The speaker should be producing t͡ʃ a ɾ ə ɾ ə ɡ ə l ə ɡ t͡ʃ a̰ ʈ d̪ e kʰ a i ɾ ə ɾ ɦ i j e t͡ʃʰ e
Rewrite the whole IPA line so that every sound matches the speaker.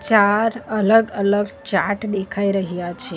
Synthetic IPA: t͡ʃ a ɾ ə l ə ɡ ə l ə ɡ t͡ʃ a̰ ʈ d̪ e kʰ a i ɾ ə ɦ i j a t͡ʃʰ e